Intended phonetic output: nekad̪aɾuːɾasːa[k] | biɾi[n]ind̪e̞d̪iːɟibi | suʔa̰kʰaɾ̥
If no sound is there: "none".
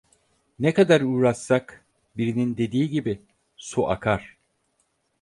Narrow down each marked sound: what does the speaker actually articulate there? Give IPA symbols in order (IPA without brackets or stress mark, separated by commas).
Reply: k, n